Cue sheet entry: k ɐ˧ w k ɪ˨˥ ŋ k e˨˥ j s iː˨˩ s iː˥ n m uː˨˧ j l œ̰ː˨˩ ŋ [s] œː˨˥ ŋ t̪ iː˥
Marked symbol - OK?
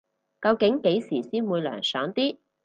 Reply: yes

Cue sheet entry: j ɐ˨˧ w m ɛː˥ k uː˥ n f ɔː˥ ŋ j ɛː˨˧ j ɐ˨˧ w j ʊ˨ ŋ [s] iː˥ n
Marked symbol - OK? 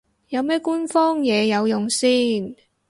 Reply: yes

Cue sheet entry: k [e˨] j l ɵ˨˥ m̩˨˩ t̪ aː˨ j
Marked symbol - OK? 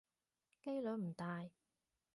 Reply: no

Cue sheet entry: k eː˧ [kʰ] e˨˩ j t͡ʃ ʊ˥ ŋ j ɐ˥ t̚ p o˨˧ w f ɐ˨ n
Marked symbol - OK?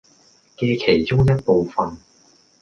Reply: yes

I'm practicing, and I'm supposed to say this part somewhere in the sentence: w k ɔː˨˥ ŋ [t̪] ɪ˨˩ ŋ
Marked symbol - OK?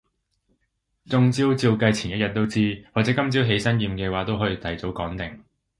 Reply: yes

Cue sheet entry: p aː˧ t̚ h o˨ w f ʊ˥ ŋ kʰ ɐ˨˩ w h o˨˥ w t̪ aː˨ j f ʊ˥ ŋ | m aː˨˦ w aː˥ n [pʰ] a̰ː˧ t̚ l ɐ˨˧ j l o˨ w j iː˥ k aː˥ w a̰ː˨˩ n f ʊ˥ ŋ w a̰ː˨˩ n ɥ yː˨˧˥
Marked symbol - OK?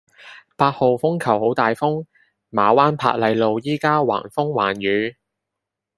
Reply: yes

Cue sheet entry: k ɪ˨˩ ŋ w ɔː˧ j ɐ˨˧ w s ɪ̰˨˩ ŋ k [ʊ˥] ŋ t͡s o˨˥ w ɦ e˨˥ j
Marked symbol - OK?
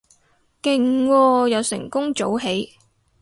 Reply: yes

